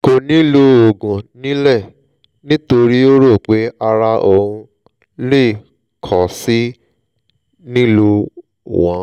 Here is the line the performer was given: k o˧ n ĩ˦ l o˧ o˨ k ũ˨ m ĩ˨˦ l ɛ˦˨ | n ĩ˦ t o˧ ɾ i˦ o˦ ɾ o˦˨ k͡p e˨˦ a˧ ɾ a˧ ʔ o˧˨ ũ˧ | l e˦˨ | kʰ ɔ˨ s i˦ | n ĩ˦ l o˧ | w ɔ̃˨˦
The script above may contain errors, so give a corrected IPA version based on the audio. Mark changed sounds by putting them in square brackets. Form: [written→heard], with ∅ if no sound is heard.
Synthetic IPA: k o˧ n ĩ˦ l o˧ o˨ [k→ɡ] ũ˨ [m→n] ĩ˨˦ l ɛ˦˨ | n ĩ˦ t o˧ ɾ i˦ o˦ ɾ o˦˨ k͡p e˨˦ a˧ ɾ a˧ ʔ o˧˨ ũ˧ | l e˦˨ | kʰ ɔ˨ s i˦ | n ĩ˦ l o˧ | w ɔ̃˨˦

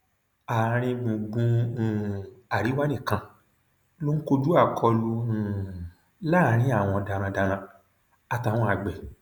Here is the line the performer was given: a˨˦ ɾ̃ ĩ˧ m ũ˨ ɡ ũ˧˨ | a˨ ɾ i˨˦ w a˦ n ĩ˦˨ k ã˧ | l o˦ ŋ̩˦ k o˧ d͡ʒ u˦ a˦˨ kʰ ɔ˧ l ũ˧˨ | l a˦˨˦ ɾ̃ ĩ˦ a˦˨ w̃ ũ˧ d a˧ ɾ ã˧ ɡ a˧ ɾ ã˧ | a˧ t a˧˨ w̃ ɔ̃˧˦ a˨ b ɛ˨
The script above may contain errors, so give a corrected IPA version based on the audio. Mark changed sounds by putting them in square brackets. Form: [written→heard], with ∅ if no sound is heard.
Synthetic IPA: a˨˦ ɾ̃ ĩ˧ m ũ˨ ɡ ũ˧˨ | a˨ ɾ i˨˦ w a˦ n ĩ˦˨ k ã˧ | l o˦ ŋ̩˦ k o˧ d͡ʒ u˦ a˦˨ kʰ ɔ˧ l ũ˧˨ | l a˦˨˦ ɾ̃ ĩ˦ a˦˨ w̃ [ũ˧→ɔ̃˧] d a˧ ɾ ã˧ [ɡ→d] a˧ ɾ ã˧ | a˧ t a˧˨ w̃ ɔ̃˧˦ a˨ [b→ɡ͡b] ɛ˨

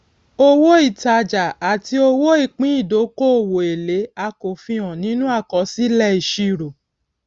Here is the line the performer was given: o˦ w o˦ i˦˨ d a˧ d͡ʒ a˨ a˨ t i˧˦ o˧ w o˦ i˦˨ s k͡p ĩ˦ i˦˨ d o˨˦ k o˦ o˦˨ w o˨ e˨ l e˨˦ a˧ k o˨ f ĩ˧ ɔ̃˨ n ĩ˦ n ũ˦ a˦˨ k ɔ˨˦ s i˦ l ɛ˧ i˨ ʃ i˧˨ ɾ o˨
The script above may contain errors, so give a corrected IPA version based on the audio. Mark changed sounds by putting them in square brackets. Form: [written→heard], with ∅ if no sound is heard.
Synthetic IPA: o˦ w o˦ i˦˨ [d→t] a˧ d͡ʒ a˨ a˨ t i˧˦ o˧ w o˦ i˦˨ [s→∅] k͡p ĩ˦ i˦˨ d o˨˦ k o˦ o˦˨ w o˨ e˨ l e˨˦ a˧ k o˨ f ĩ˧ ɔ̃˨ n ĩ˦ n ũ˦ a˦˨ k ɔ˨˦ s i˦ l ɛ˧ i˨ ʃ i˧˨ ɾ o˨

